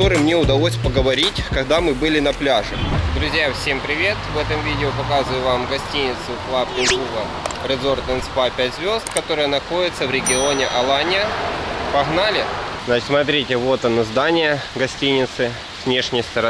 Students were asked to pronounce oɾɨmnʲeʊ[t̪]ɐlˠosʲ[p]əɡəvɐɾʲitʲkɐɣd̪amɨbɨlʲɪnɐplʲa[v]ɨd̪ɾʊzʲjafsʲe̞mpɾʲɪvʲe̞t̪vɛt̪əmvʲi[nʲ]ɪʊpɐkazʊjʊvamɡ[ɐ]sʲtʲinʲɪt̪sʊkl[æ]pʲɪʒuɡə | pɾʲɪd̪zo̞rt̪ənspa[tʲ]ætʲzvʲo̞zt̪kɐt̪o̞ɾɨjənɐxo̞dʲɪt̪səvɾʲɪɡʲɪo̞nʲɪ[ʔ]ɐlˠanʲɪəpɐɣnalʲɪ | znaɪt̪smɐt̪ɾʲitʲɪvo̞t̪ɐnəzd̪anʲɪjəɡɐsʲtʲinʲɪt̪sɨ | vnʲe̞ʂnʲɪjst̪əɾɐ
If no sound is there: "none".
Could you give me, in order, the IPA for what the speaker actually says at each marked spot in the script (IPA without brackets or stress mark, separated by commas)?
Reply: d̪, p, ʐ, dʲ, ɐ, a, pʲ, ʔ